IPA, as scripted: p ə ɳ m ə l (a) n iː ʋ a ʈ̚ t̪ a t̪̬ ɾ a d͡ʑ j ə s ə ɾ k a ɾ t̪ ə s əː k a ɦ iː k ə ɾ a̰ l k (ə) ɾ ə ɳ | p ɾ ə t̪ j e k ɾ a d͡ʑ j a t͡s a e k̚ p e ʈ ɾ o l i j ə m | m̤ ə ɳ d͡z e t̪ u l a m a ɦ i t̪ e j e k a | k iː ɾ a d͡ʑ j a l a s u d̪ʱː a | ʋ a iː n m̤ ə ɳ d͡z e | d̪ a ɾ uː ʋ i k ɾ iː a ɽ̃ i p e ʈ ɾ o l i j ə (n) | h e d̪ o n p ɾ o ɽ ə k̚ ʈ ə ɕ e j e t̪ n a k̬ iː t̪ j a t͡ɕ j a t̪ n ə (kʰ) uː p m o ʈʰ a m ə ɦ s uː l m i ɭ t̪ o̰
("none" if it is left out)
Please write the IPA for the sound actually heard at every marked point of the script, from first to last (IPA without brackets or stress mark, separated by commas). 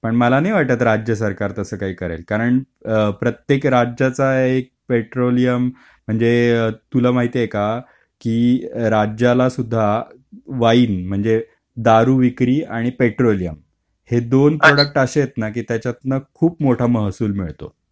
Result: a, a, m, kʰ